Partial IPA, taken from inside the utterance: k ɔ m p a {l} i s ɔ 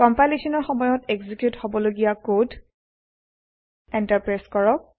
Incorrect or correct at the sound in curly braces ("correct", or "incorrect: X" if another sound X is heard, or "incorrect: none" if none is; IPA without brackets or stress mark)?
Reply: correct